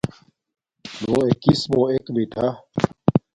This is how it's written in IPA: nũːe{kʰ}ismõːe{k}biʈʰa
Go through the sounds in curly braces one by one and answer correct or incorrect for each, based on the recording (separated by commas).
incorrect, correct